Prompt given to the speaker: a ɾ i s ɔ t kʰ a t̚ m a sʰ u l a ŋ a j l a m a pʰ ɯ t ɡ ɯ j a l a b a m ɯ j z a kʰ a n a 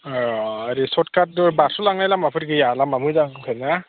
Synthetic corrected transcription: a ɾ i s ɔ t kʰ a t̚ b a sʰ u l a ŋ a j l a m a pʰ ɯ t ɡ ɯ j a l a m a m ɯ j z a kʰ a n a